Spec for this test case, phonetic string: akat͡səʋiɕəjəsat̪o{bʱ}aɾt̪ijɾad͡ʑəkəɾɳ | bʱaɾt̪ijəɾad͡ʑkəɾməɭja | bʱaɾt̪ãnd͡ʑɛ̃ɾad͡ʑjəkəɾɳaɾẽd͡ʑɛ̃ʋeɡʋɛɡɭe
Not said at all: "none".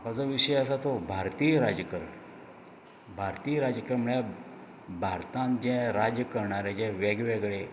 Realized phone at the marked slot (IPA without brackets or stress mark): bʱ